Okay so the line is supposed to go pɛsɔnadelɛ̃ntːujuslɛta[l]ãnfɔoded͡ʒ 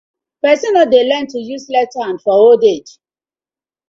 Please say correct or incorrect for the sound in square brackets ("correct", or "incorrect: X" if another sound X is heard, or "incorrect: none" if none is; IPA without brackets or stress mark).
incorrect: none